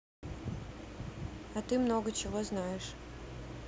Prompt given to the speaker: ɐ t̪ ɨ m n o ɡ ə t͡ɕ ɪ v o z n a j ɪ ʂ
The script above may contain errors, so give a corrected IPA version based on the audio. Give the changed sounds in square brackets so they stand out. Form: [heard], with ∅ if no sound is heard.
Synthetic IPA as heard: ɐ t̪ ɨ m n o ɡ ə t͡ɕ ɪ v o z n a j ɪ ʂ